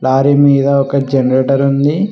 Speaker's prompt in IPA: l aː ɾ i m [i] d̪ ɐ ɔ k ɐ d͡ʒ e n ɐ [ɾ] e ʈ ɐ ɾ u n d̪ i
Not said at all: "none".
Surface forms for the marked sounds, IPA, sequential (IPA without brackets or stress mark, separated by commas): iː, ɾ